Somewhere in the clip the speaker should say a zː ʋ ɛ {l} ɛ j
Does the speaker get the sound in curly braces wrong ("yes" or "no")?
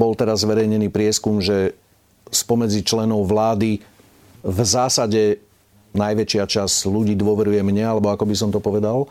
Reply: yes